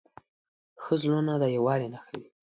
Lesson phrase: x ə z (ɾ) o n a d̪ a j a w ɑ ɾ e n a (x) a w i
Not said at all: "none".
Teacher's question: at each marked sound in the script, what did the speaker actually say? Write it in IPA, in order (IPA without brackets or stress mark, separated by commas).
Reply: l, x